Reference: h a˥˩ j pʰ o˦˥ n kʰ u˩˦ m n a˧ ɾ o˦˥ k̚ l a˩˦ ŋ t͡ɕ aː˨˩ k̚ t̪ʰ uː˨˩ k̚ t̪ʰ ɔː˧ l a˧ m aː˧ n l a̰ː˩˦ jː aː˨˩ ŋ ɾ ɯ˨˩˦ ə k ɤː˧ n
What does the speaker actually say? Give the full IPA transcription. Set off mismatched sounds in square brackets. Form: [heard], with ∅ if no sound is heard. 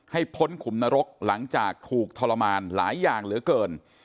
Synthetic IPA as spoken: h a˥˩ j pʰ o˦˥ n kʰ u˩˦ m n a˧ ɾ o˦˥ k̚ l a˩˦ ŋ t͡ɕ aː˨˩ k̚ t̪ʰ uː˨˩ k̚ t̪ʰ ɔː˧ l a˧ m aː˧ n l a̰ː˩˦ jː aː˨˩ ŋ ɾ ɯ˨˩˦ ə k ɤː˧ n

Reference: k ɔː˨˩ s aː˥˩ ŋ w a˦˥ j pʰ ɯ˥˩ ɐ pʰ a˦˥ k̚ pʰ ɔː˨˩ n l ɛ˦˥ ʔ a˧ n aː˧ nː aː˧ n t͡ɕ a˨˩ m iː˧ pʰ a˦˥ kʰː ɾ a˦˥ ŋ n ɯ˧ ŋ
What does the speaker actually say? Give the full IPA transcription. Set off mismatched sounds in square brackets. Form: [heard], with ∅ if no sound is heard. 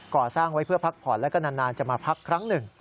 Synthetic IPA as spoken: k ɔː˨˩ s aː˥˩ ŋ w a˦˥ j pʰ ɯ˥˩ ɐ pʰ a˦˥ k̚ pʰ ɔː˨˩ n l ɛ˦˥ [k] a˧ n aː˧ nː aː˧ n t͡ɕ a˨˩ m [aː˧] pʰ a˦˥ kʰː ɾ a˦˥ ŋ n [ɯ˨˩] ŋ

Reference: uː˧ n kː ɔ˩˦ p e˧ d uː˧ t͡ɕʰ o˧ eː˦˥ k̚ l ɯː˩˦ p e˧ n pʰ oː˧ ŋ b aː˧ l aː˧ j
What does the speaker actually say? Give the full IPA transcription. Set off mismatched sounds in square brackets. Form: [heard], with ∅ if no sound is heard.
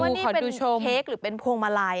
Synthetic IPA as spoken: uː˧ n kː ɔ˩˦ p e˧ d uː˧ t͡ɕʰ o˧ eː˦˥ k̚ [ɾ] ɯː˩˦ p e˧ n pʰ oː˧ ŋ [m] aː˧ l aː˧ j

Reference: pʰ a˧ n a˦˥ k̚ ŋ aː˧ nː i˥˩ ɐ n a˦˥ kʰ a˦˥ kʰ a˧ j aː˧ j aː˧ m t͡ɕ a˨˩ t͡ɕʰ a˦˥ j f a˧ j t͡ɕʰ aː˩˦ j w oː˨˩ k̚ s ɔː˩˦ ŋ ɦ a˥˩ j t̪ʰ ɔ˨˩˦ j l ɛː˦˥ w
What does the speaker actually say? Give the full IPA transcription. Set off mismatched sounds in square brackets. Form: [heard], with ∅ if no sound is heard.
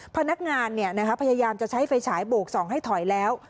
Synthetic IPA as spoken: pʰ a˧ n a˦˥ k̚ ŋ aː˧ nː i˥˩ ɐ n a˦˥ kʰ a˦˥ [pʰ] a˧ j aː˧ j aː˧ m t͡ɕ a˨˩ t͡ɕʰ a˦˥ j f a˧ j t͡ɕʰ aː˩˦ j [b] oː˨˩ k̚ s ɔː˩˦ ŋ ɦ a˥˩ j t̪ʰ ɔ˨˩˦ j l ɛː˦˥ w

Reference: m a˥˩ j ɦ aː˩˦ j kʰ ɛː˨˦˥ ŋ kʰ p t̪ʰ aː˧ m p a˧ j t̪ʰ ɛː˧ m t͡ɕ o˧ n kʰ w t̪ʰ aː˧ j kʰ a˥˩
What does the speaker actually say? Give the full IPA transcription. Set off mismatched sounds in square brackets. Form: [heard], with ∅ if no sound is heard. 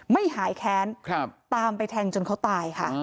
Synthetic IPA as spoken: m a˥˩ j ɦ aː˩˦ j kʰ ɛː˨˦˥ [n] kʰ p [t̪] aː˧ m p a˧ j t̪ʰ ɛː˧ [ŋ] t͡ɕ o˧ n kʰ w [t̪] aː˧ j kʰ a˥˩

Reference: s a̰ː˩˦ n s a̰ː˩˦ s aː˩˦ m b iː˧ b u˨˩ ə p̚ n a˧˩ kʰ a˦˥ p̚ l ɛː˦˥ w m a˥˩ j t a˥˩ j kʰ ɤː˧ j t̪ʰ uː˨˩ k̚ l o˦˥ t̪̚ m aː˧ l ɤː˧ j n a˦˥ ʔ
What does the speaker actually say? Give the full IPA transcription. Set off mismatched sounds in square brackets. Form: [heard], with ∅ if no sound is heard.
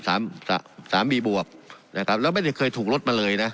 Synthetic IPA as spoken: s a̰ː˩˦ [m] s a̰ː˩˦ s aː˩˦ m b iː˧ b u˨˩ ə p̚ n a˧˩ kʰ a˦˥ p̚ l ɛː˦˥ w m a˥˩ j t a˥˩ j kʰ ɤː˧ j t̪ʰ uː˨˩ k̚ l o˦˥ t̪̚ m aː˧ l ɤː˧ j n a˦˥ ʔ

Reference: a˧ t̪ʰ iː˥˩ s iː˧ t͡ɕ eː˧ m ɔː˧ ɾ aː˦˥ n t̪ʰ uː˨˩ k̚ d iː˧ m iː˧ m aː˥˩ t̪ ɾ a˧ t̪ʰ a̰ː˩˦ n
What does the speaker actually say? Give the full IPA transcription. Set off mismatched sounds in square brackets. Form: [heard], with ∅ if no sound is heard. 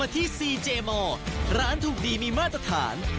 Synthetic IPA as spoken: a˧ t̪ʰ iː˥˩ s iː˧ t͡ɕ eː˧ m ɔː˧ ɾ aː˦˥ n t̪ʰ uː˨˩ k̚ d iː˧ m iː˧ m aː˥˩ t̪ ɾ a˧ t̪ʰ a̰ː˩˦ n

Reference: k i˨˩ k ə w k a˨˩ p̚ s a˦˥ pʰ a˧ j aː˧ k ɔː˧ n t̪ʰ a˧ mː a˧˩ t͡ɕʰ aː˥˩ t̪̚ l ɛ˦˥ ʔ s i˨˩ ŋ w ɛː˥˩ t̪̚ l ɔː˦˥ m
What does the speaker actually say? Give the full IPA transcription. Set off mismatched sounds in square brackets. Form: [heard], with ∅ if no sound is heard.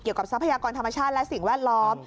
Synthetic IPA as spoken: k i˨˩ [∅] ə w k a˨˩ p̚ s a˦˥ pʰ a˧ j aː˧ k ɔː˧ n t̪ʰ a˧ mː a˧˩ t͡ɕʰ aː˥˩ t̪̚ l ɛ˦˥ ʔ s i˨˩ ŋ w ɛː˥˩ t̪̚ l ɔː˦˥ m

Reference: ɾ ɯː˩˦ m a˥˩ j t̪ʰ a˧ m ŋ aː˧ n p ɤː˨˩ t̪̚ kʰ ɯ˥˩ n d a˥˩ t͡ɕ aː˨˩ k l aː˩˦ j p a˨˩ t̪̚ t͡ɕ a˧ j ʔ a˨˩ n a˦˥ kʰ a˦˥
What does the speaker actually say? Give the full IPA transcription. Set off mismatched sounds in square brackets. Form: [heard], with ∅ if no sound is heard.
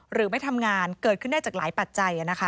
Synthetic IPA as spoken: ɾ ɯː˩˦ m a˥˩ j t̪ʰ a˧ m ŋ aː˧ n [k] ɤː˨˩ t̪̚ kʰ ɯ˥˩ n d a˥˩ t͡ɕ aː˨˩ k l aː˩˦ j p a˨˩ t̪̚ t͡ɕ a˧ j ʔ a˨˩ n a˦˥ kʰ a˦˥

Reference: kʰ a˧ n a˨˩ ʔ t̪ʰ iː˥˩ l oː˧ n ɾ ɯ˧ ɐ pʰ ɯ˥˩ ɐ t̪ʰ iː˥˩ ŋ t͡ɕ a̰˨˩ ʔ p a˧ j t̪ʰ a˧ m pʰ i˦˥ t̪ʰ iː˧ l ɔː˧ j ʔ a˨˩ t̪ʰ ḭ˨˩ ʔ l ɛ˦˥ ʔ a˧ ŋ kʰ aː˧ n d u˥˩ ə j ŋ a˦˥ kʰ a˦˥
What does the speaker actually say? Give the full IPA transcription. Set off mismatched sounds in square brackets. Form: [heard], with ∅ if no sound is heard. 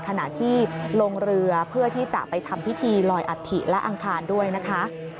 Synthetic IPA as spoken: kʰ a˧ n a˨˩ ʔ t̪ʰ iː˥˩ l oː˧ [ŋ] ɾ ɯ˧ ɐ pʰ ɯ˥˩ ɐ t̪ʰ iː˥˩ [∅] t͡ɕ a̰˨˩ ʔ p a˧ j t̪ʰ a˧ m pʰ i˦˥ t̪ʰ iː˧ l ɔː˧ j ʔ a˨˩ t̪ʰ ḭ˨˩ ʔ l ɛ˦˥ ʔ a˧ ŋ kʰ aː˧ n d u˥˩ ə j [n] a˦˥ kʰ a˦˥

